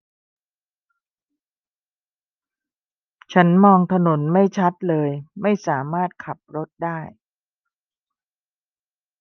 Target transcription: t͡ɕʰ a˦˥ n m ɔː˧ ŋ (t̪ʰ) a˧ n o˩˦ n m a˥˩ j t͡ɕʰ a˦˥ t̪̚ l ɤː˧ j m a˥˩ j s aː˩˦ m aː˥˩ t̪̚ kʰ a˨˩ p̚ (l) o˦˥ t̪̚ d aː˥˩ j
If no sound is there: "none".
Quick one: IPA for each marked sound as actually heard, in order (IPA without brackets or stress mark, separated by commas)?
t̪ʰ, ɾ